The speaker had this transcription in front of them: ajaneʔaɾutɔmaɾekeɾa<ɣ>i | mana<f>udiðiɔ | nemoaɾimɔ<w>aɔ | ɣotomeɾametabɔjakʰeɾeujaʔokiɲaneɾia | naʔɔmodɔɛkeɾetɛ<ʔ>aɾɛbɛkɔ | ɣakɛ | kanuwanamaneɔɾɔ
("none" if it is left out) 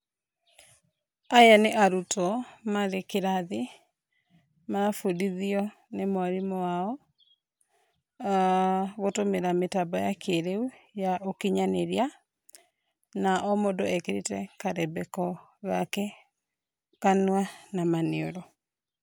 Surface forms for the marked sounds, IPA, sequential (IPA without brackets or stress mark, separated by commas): ð, f, w, k